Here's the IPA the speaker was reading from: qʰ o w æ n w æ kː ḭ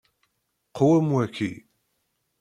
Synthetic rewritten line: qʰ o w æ m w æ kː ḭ